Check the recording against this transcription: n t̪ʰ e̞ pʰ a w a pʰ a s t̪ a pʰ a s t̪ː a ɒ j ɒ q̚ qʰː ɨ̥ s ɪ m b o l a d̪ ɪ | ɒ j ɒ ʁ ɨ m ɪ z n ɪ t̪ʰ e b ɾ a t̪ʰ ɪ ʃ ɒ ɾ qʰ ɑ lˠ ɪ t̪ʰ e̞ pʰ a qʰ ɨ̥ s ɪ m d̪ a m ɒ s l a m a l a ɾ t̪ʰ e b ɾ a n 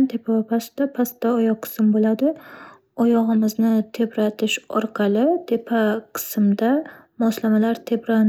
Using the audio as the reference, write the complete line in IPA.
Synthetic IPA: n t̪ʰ e̞ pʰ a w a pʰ a s t̪ a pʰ a s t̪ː a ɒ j ɒ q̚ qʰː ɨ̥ s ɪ m b o l a d̪ ɪ | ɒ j ɒ ʁ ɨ m ɪ z n ɪ t̪ʰ e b ɾ a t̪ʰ ɪ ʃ ɒ ɾ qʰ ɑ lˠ ɪ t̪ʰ e̞ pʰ a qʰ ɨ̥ s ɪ m d̪ a m ɒ s l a m a l a ɾ t̪ʰ e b ɾ a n